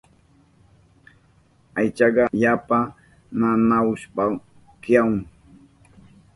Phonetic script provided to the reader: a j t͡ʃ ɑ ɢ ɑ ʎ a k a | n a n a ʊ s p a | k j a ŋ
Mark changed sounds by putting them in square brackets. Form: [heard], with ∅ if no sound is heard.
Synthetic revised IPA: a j t͡ʃ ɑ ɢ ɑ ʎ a [p] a | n a n a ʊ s p a | k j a ŋ